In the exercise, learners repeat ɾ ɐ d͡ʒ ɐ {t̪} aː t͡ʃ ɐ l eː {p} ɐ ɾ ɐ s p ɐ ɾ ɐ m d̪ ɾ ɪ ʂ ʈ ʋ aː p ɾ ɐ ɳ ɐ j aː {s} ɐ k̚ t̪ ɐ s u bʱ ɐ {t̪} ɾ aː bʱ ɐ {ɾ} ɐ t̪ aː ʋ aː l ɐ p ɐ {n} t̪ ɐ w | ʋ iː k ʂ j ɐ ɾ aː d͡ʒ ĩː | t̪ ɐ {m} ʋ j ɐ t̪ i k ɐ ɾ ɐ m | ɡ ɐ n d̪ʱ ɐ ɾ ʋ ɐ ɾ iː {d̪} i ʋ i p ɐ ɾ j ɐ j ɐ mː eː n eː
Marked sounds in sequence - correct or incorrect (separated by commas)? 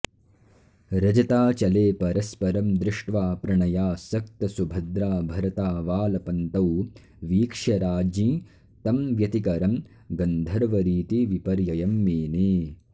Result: correct, correct, correct, incorrect, correct, correct, correct, incorrect